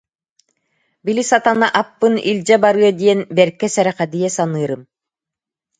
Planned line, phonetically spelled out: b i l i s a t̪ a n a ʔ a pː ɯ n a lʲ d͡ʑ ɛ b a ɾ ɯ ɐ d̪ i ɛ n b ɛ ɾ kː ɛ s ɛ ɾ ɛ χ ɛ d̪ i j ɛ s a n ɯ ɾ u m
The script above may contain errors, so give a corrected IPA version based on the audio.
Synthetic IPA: b i l i s a t̪ a n a ʔ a pː ɯ n i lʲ d͡ʑ ɛ b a ɾ ɯ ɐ d̪ i ɛ n b ɛ ɾ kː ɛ s ɛ ɾ ɛ χ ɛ d̪ i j ɛ s a n ɯː ɾ ɯ m